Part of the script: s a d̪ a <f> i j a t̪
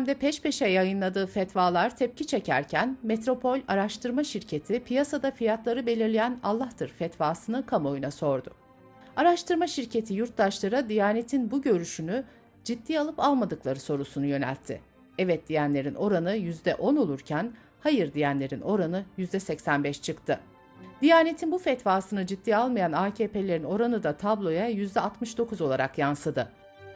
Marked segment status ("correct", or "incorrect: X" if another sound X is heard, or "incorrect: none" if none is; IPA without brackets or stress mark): correct